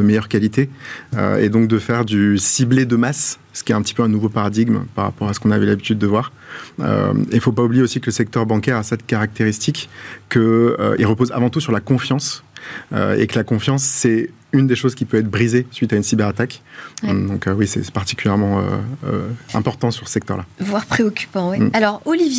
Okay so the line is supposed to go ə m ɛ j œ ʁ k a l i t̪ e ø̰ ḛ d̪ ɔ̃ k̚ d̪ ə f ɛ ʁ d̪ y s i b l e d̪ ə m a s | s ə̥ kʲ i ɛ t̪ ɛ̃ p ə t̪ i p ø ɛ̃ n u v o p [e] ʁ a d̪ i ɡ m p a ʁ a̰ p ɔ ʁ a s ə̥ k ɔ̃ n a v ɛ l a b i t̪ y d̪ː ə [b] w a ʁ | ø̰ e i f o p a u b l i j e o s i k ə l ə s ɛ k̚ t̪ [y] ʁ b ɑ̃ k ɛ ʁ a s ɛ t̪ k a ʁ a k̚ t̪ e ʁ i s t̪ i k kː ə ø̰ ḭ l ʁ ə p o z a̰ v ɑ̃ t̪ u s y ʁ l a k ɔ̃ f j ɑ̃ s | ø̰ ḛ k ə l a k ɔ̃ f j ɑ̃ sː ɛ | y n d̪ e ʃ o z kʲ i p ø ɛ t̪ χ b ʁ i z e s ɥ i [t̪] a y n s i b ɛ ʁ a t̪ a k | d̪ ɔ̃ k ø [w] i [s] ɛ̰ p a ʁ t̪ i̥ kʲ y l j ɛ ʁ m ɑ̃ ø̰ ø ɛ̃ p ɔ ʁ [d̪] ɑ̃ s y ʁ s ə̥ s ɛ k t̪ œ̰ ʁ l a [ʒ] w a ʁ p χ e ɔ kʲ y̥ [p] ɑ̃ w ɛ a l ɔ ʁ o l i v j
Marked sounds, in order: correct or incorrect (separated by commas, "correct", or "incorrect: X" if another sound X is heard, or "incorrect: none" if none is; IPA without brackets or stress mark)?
incorrect: a, incorrect: v, incorrect: œ, correct, correct, correct, incorrect: t̪, incorrect: v, correct